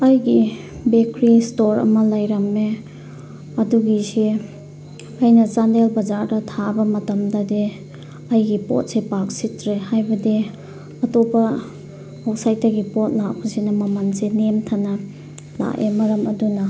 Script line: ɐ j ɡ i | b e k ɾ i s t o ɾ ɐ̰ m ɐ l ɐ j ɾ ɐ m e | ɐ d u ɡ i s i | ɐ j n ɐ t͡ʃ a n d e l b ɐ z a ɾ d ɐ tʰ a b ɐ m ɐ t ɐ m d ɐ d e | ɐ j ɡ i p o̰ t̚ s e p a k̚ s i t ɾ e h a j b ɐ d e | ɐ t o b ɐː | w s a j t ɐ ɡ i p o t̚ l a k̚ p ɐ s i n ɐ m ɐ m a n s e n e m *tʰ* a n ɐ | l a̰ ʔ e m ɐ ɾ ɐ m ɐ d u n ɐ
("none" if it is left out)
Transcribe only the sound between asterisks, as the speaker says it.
tʰ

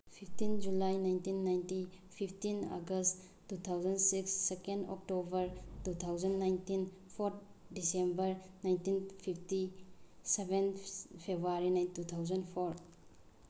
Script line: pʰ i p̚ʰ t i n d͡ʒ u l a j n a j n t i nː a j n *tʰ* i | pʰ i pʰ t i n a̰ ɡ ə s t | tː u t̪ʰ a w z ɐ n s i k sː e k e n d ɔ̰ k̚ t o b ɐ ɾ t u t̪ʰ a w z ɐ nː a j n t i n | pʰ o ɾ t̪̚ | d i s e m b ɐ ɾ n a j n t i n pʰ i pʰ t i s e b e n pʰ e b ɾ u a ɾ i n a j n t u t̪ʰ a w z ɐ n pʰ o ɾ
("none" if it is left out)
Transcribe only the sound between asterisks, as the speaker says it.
t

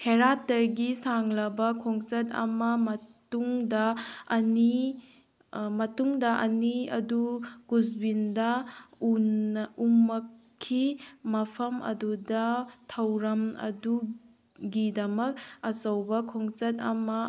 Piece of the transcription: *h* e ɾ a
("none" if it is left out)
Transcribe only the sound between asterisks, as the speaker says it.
h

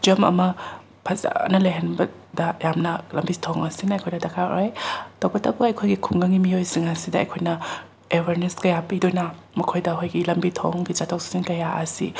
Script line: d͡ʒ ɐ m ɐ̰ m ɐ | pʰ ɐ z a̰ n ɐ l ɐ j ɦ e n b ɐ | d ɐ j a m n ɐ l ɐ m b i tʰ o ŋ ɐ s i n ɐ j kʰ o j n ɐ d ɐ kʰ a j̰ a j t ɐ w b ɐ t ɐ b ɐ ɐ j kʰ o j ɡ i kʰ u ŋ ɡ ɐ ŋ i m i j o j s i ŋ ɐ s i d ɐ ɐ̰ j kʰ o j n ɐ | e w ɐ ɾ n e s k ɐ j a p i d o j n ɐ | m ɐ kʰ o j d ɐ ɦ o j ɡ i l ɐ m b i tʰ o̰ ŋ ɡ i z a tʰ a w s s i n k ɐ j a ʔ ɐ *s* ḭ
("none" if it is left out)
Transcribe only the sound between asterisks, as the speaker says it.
s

